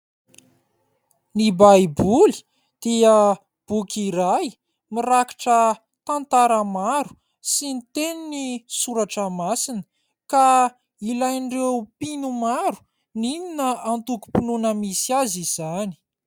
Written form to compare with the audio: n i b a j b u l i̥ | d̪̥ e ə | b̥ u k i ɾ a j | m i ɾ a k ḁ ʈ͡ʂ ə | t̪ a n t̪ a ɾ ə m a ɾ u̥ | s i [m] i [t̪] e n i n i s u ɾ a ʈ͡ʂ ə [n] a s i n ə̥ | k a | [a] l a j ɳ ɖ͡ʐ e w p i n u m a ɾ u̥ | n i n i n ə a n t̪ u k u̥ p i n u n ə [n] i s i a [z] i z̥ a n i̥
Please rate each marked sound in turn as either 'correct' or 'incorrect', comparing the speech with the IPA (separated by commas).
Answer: incorrect, correct, incorrect, incorrect, incorrect, correct